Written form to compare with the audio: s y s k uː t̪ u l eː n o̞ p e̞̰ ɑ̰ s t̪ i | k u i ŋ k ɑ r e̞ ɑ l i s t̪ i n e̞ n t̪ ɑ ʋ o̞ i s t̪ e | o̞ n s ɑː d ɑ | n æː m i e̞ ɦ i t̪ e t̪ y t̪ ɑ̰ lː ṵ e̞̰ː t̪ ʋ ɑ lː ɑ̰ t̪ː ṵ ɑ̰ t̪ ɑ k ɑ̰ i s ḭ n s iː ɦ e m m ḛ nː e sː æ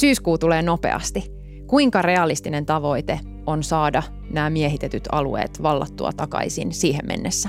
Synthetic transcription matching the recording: s yː s k uː t̪ u l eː n o̞ p e̞̰ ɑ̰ s t̪ i | k u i ŋ k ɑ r e̞ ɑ l i s t̪ i n e̞ n t̪ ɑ ʋ o̞ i t̪ e | o̞ n s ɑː d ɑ | n æː m i e̞ ɦ i t̪ e t̪ y t̪ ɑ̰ l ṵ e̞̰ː t̪ ʋ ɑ lː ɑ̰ t̪ː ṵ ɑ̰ t̪ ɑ k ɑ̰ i s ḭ n s iː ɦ e m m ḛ nː e sː æ